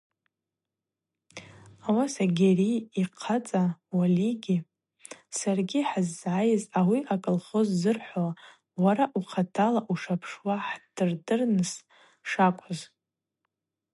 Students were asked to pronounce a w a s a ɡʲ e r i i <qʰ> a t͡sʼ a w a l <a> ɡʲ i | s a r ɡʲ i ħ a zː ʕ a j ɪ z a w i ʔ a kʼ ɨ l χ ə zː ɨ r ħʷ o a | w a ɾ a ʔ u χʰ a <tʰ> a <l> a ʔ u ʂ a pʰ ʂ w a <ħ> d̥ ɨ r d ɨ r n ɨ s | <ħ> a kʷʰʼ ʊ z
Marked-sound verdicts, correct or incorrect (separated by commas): correct, incorrect, correct, correct, correct, incorrect